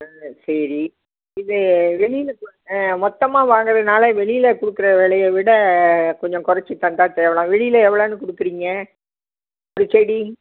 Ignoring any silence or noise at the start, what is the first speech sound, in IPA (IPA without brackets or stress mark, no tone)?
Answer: s